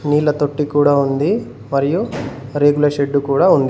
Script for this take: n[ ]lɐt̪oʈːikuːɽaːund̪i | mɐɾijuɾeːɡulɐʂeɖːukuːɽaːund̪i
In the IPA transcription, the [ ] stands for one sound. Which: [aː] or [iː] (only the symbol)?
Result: iː